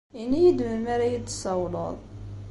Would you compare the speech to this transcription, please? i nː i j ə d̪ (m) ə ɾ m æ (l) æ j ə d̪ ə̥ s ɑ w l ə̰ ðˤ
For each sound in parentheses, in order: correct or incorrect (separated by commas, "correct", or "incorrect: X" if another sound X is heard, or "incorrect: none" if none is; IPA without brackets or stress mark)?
correct, incorrect: ɾ